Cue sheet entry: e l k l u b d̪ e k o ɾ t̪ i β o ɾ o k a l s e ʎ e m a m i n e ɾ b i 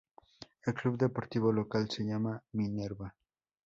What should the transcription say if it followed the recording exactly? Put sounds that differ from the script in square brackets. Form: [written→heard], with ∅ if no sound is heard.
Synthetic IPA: e l k l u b d̪ e [k→p] o ɾ t̪ i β o [ɾ→l] o k a l s e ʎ [e→a] m a m i n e ɾ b [i→a]